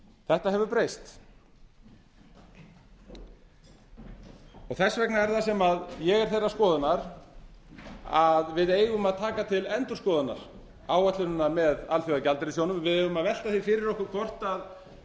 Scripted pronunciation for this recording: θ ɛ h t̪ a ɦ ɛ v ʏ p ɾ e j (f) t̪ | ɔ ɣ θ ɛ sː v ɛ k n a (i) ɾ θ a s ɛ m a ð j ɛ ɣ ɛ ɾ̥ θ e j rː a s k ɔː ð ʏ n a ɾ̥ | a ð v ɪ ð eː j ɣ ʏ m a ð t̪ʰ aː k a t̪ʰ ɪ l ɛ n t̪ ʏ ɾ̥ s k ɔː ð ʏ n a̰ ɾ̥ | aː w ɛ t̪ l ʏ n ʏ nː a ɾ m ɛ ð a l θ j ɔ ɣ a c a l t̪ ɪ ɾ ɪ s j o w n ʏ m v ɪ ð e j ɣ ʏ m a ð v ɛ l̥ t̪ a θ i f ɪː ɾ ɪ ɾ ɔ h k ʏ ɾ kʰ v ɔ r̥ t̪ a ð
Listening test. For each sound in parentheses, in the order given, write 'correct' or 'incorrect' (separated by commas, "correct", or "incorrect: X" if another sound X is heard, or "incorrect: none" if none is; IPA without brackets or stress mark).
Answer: incorrect: s, incorrect: ɛ